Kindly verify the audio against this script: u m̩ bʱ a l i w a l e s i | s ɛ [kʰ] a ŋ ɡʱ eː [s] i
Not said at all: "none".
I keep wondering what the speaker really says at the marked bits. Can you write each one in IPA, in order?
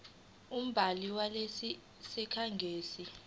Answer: kʰ, s

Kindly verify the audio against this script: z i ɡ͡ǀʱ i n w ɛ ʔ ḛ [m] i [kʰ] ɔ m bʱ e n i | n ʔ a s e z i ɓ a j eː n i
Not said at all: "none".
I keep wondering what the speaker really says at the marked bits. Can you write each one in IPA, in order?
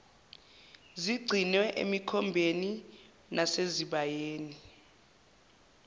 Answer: m, kʰ

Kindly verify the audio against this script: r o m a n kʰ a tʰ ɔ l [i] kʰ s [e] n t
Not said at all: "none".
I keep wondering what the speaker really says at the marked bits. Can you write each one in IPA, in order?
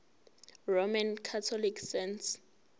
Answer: i, ɛ

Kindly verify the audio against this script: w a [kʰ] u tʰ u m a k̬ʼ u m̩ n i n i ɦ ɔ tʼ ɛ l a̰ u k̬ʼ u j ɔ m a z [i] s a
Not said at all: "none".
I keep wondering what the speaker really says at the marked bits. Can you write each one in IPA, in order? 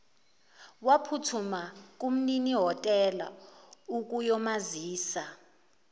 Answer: pʰ, iː

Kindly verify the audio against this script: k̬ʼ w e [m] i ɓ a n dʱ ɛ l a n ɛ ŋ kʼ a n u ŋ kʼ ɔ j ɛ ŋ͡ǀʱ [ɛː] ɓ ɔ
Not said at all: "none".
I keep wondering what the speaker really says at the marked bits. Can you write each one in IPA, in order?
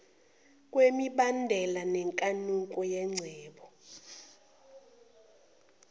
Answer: m, ɛː

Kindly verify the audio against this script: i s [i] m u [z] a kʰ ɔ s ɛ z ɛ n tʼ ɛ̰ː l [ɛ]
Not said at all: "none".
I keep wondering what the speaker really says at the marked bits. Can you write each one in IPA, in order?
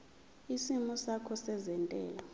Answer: i, s, a

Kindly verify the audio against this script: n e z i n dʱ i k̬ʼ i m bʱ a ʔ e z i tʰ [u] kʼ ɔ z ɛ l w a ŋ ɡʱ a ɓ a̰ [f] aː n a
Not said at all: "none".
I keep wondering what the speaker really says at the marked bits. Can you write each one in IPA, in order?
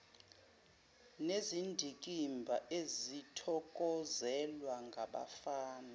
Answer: ɔ, f

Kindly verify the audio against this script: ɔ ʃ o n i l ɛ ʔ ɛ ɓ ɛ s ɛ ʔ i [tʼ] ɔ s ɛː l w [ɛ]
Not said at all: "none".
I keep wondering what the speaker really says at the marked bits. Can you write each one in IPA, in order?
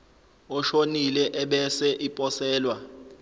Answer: pʼ, a

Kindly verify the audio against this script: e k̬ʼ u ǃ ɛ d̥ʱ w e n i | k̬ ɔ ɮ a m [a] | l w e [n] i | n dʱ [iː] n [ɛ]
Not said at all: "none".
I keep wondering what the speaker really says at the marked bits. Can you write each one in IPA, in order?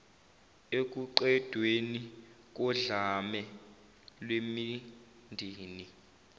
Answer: ɛ, m, iː, i

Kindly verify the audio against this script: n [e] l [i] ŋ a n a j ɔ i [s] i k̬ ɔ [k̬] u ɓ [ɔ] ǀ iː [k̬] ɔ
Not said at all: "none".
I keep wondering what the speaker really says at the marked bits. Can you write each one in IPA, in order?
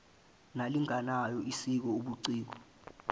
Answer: a, i, s, none, u, k̬

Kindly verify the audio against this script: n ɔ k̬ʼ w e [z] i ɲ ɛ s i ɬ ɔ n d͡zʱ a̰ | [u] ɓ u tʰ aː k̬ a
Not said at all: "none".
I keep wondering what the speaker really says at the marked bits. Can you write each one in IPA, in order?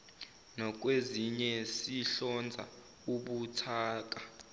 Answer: z, u

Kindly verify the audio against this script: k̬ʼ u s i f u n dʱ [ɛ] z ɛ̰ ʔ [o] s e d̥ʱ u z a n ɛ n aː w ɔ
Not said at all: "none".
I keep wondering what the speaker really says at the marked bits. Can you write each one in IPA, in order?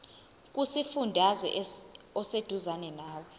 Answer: a, ɔ

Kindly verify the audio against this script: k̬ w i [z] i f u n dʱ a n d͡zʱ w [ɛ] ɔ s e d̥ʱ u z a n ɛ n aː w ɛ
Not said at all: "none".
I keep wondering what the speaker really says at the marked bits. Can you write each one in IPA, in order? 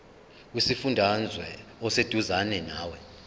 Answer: s, ɛ

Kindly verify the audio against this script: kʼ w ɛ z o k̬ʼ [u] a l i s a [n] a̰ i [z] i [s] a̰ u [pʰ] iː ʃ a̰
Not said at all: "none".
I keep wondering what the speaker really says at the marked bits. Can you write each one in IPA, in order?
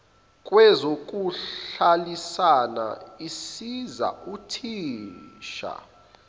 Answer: u, n, s, z, tʰ

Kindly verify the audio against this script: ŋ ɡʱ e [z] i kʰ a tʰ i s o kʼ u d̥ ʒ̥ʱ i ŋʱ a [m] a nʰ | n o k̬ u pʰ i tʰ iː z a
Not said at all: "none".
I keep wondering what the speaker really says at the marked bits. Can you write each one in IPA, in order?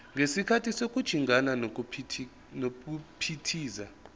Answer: s, n

